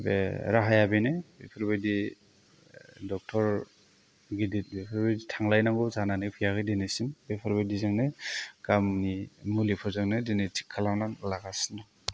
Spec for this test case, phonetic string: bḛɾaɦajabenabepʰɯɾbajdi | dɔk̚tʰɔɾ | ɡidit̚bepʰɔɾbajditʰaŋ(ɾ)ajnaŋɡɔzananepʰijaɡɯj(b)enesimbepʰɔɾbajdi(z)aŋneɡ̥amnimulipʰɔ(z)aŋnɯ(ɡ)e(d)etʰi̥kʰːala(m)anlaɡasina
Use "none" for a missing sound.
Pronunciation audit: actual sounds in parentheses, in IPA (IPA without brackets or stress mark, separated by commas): l, d, z, z, d, n, n